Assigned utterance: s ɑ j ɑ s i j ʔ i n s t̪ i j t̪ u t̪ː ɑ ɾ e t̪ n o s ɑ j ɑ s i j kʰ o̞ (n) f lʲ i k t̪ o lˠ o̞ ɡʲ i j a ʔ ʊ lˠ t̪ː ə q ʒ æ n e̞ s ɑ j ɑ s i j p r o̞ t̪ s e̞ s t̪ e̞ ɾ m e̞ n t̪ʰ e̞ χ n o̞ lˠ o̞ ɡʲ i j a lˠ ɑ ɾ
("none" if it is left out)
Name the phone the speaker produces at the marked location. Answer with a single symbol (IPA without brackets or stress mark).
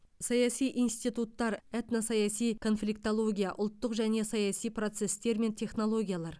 n